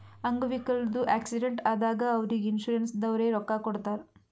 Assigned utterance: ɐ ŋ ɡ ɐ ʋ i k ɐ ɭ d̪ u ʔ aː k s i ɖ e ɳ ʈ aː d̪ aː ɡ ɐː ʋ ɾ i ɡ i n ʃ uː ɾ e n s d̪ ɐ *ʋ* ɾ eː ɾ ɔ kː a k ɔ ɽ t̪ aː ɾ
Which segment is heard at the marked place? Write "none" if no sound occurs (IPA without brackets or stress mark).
ʋ